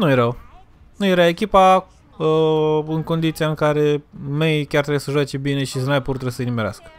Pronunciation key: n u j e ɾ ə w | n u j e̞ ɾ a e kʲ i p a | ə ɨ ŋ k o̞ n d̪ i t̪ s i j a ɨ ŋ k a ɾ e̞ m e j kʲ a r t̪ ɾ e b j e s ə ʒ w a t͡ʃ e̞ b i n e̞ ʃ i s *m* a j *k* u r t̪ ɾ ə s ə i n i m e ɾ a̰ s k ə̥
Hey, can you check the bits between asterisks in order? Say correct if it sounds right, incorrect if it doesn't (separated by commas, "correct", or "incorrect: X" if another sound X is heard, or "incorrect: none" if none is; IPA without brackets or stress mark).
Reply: incorrect: n, incorrect: p